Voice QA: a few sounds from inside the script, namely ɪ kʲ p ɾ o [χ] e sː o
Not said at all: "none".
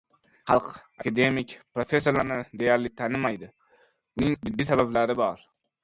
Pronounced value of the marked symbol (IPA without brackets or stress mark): f